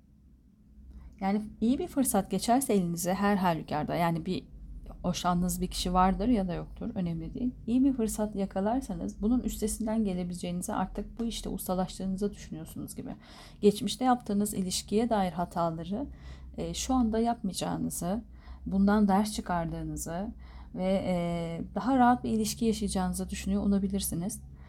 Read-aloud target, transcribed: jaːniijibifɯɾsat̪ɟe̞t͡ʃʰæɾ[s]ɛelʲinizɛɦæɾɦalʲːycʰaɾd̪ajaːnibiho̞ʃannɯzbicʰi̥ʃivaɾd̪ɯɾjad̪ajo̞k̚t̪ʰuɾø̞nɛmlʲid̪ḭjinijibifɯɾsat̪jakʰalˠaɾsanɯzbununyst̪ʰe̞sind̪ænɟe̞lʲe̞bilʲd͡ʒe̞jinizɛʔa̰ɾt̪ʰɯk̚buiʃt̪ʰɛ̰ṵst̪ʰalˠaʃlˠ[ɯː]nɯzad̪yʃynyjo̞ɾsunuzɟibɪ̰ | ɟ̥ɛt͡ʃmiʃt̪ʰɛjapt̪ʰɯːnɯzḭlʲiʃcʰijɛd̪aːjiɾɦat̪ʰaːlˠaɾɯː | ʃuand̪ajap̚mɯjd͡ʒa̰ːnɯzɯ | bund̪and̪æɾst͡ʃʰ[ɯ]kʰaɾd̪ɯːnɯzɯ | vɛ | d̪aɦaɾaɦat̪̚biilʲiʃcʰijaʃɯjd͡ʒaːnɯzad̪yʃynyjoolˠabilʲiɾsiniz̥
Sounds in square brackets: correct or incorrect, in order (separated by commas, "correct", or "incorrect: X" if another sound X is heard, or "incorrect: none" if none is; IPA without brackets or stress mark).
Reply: correct, correct, correct